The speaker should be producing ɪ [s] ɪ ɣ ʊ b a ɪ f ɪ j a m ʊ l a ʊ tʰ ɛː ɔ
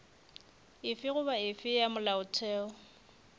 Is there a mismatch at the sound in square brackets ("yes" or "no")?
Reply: yes